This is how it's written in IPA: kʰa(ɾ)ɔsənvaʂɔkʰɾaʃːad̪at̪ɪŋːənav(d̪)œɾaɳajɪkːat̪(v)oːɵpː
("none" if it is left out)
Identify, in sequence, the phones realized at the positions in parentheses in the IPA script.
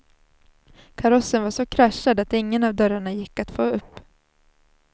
ɾ, d̪, f

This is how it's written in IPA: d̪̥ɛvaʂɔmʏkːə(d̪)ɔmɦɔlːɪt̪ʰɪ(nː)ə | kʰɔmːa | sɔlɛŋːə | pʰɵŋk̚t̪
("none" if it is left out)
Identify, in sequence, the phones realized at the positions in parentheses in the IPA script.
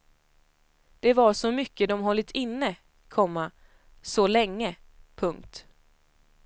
d̪, nː

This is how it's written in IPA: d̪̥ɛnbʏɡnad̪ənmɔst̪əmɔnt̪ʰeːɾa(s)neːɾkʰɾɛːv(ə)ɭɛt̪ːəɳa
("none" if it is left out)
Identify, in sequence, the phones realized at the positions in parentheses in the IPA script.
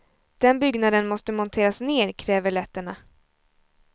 s, ə

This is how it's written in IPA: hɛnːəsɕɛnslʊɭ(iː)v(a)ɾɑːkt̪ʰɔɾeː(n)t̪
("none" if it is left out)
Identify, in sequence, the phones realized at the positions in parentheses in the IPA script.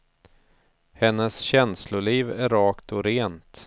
iː, æ, n

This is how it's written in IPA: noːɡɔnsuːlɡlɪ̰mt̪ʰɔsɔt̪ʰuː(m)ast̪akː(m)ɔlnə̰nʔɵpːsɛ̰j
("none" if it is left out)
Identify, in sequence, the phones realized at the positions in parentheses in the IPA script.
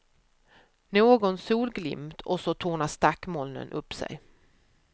ɳ, m

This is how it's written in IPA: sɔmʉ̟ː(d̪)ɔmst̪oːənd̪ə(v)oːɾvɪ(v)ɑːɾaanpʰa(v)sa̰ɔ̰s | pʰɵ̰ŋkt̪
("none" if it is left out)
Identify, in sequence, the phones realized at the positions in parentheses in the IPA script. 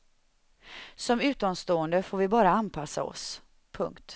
t̪, f, b, none

